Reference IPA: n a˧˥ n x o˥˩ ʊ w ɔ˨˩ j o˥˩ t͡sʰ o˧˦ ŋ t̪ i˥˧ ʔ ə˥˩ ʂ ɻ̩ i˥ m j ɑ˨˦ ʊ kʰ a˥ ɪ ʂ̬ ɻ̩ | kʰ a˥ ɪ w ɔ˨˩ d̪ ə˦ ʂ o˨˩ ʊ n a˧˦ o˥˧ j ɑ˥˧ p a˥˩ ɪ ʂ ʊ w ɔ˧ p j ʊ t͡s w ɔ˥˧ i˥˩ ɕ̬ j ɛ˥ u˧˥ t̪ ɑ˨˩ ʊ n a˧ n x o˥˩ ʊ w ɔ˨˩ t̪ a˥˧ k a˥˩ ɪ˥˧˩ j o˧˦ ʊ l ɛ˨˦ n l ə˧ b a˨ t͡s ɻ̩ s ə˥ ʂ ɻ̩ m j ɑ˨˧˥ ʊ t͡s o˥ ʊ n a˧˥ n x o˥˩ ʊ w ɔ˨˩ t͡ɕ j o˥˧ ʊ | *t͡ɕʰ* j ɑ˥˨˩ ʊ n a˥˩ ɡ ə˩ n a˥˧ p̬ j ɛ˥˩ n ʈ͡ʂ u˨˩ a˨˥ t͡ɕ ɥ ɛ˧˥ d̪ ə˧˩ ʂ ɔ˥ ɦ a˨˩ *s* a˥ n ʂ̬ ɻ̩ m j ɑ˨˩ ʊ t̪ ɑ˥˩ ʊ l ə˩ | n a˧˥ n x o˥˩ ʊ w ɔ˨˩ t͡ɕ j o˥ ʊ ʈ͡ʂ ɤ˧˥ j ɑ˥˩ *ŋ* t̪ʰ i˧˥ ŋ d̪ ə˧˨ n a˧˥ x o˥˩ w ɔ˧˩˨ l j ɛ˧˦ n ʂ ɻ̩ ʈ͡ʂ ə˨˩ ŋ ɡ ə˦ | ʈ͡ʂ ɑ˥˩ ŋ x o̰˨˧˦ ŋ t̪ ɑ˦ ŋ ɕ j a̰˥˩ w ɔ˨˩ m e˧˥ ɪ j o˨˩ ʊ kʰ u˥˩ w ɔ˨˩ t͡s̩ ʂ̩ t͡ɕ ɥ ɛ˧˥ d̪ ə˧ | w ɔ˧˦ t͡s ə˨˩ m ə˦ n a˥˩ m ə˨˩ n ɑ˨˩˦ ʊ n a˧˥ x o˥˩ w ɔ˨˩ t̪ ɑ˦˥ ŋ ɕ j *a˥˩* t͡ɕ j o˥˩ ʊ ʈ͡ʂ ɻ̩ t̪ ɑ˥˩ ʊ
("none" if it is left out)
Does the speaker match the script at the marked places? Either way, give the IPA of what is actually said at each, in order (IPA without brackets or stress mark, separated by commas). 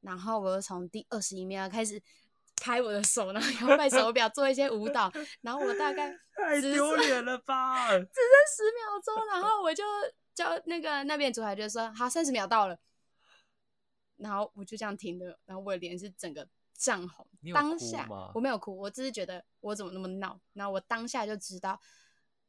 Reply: t͡ɕ, s, ŋ, a˥˧